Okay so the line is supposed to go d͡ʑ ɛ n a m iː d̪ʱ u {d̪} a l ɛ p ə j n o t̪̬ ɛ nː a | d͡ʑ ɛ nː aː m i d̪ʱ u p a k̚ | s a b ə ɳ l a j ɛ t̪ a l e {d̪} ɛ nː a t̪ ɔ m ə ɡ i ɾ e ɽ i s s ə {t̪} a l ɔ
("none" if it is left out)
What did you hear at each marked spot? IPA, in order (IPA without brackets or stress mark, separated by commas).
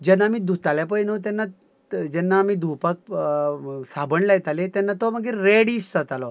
t̪, t̪, t̪